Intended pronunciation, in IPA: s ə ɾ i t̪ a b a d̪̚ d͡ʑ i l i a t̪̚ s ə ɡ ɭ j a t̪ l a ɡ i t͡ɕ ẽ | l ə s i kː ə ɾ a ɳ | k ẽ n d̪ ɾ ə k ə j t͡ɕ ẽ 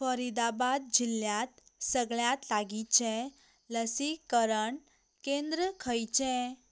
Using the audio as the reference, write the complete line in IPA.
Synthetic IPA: f ə ɾ i d̪ a b a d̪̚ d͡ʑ i l j a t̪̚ s ə ɡ ɭ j a t̪ l a ɡ i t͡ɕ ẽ | l ə s i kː ə ɾ ə ɳ | k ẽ n d̪ ɾ ə kʰ ə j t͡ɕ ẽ

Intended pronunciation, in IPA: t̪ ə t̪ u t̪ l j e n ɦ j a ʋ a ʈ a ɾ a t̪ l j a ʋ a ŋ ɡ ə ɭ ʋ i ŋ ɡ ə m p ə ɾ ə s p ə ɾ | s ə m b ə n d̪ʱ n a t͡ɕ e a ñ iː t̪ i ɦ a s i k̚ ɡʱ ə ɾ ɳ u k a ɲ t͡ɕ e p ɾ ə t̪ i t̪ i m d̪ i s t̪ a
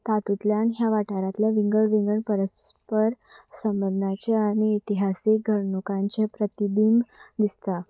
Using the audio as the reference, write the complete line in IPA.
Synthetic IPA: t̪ a t̪ u t̪ l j a n ɦ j a ʋ a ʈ a ɾ a t̪ l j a ʋ i ŋ ɡ ə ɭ ʋ i ŋ ɡ ə ɳ p ə ɾ ə s p ə ɾ | s ə m b ə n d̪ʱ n a t͡ɕ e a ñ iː t̪ i ɦ a s i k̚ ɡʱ ə ɾ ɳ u k a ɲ t͡ɕ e p ɾ ə t̪ i d̪ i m d̪ i s t̪ a

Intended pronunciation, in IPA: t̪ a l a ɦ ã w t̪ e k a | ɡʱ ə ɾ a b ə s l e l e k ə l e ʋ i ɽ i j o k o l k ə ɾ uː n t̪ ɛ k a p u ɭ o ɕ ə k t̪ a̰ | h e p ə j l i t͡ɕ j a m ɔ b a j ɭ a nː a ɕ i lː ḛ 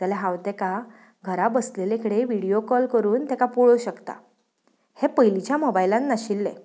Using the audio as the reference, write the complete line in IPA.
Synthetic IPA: t̪ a l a ɦ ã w t̪ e k a | ɡʱ ə ɾ a b ə s l e l e k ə ɽ e ʋ i ɽ i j o k ɔ l k ə ɾ uː n t̪ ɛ k a p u ɭ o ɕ ə k t̪ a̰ | h e p ə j l i t͡ɕ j a m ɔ b a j l a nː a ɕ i lː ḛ

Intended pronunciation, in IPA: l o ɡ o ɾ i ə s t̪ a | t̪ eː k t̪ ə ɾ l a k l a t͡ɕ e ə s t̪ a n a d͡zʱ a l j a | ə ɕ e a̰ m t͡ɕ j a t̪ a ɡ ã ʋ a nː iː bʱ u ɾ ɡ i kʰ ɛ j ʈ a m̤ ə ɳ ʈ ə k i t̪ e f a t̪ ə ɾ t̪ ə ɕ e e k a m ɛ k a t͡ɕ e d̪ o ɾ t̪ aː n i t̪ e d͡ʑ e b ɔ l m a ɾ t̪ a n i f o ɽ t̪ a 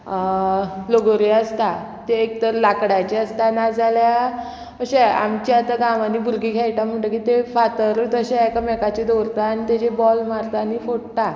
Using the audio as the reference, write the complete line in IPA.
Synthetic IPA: l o ɡ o ɾ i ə s t̪ a | t̪ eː k t̪ ə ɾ l a k ɽ a t͡ɕ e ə s t̪ a n a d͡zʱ a l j a | ə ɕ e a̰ m t͡ɕ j a t̪ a ɡ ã ʋ a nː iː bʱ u ɾ ɡ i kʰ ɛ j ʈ a m̤ ə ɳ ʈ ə k i t̪ e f a t̪ ə ɾ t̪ ə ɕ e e k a m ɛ k a t͡ɕ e d̪ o ɾ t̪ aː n i t̪ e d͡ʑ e b ɔ l m a ɾ t̪ a n i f o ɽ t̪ a

